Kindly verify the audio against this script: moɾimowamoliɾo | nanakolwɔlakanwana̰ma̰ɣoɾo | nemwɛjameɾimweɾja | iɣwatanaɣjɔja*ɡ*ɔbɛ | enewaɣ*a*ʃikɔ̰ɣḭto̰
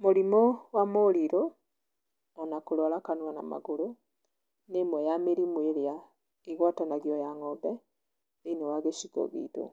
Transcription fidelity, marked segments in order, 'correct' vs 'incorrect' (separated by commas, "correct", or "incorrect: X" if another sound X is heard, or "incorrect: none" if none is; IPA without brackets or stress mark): incorrect: ŋ, incorrect: e